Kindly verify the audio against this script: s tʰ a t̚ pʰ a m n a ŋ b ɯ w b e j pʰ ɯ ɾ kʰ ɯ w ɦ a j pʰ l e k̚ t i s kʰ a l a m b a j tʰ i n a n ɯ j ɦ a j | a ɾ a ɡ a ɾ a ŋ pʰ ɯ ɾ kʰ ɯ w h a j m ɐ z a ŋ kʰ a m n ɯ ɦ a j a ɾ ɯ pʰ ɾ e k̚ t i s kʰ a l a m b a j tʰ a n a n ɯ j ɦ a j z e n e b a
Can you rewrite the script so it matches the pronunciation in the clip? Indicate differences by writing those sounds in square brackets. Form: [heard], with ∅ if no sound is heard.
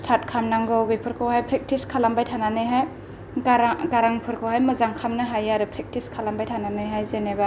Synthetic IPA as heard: s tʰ a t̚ [kʰ] a m n a ŋ [ɡ] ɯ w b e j pʰ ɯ ɾ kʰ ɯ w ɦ a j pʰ [ɾ] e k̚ t i s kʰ a l a m b a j tʰ [a] n a n ɯ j ɦ a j | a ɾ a ɡ a ɾ a ŋ pʰ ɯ ɾ kʰ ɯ w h a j m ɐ z a ŋ kʰ a m n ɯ ɦ a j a ɾ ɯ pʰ ɾ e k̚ t i s kʰ a l a m b a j tʰ a n a n ɯ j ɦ a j z e n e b a